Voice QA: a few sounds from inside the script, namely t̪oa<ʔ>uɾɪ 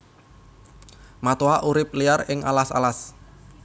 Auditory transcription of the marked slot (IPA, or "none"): ʔ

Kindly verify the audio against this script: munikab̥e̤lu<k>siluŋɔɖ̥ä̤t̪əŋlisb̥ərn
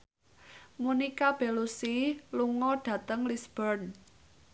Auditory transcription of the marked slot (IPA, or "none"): none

